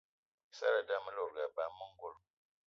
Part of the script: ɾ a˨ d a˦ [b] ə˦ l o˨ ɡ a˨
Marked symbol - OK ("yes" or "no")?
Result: no